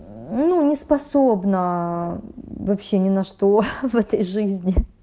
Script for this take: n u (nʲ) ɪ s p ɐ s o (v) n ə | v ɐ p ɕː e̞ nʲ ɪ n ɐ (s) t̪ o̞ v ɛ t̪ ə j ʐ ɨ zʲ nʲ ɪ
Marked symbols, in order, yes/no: yes, no, no

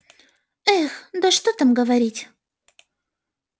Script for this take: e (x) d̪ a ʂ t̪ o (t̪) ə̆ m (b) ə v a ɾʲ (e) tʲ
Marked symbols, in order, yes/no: yes, yes, no, no

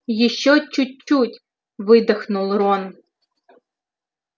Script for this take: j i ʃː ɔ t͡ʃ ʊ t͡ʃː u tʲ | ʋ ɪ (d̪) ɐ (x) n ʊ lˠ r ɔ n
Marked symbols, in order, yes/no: yes, yes

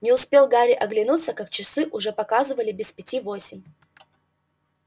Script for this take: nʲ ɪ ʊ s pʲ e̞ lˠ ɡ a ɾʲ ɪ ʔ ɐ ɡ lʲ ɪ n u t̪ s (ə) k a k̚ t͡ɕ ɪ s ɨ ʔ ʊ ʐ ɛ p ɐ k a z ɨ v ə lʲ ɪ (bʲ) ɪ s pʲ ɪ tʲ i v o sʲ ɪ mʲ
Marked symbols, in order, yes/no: yes, yes

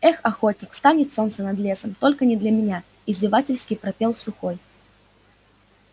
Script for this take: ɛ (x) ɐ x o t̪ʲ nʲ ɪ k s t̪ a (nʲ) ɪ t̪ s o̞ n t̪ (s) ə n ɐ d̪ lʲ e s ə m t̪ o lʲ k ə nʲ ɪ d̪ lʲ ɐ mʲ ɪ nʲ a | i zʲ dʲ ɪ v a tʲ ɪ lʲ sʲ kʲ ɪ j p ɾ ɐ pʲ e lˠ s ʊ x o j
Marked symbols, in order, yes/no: yes, yes, yes

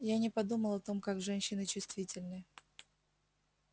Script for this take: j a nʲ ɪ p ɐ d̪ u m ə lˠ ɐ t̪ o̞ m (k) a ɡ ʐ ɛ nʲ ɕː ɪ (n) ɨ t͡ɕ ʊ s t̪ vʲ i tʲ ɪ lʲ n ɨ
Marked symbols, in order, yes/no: yes, yes

